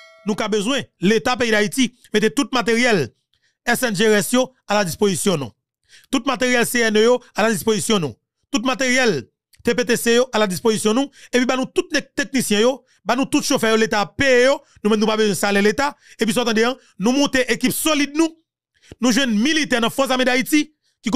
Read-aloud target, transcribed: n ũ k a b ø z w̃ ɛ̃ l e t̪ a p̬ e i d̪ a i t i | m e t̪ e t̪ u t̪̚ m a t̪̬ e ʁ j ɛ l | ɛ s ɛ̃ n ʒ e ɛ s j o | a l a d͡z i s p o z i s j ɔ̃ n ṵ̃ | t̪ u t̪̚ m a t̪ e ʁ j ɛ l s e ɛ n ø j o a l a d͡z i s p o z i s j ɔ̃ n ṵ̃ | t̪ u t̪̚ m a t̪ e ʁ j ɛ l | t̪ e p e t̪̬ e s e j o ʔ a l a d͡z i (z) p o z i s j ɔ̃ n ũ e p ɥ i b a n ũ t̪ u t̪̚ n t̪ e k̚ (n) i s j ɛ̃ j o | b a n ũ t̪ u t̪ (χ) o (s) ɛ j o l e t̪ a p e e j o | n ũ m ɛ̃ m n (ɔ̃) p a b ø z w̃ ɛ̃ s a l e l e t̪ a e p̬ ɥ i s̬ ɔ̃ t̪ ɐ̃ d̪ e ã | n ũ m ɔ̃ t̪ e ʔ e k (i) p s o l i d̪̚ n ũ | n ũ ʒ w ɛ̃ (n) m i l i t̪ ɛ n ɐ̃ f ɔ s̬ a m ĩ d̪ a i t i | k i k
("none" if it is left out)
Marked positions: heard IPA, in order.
s, n, ʃ, f, ũ, i, n

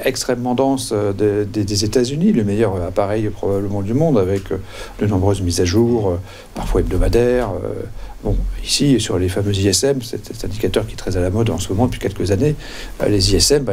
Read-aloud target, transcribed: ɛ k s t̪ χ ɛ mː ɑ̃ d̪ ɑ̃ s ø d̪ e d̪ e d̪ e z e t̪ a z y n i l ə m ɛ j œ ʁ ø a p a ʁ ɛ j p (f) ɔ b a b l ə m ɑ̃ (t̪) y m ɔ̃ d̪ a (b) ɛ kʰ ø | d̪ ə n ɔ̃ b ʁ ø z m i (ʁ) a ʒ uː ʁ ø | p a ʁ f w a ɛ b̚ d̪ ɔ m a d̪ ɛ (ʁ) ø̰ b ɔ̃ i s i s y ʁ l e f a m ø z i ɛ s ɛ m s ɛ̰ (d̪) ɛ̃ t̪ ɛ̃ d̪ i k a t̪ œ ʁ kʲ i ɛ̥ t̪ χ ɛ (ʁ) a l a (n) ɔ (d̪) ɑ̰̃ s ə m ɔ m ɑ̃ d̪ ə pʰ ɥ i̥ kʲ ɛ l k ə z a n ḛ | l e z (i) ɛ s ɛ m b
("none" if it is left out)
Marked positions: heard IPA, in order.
χ, d̪, v, z, ʁ, t̪, z, m, d̪, i

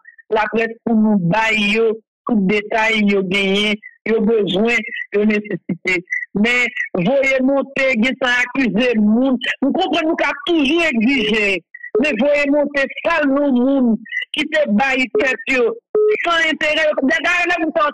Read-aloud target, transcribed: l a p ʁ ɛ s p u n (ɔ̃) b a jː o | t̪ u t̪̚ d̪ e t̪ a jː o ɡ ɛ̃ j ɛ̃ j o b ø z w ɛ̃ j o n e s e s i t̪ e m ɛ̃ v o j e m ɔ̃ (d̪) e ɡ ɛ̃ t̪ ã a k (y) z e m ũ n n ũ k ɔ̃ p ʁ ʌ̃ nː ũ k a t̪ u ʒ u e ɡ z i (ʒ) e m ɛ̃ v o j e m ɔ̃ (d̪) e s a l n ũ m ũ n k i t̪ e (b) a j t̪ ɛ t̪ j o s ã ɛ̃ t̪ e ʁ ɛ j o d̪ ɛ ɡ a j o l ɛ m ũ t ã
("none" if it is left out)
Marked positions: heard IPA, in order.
ũ, t̪, y, ʒ, t̪, b

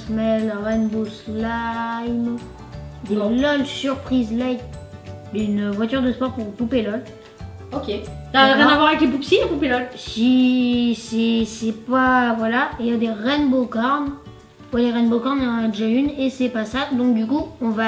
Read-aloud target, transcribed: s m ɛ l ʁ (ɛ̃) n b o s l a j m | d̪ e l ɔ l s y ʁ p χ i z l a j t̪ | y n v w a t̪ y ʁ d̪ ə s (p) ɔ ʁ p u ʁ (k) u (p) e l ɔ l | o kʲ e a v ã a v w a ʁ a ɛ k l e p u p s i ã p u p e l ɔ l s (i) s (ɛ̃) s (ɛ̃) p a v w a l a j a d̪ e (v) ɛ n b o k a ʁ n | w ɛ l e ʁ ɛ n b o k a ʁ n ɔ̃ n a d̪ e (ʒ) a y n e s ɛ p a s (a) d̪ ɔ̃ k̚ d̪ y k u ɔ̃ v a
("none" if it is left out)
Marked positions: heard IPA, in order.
ɛ, p, p, p, i, ɛ, ɛ, ʁ, ʒ, a

